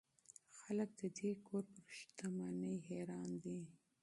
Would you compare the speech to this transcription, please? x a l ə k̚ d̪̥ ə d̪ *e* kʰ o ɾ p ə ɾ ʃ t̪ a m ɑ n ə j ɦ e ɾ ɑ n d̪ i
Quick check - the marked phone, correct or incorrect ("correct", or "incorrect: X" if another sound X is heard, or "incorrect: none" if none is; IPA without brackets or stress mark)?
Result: correct